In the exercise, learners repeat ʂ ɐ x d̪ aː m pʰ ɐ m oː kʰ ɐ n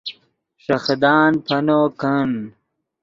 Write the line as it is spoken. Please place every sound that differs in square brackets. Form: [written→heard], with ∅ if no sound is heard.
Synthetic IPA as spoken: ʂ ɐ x d̪ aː [m→n] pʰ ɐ [m→n] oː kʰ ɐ n